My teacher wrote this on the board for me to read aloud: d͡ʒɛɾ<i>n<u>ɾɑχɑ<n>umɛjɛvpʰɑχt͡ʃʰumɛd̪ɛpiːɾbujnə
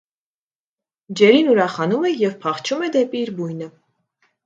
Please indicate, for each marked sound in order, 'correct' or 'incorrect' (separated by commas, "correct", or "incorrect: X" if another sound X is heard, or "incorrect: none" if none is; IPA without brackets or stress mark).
correct, correct, correct